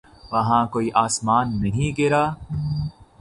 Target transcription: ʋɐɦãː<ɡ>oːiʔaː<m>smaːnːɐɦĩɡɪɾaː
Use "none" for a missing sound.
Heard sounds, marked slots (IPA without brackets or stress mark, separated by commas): k, none